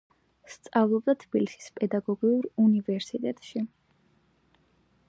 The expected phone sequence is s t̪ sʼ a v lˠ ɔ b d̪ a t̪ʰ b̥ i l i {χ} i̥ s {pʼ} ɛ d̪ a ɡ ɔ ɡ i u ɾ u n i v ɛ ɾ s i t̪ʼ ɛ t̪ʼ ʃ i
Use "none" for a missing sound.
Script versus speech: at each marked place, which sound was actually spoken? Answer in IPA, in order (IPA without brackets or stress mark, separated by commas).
s, pʼ